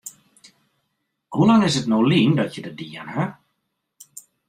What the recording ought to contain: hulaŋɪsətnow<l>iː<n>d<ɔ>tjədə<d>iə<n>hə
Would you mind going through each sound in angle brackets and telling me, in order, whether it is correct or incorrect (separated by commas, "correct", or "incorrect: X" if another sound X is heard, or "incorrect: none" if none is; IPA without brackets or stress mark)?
correct, correct, correct, correct, correct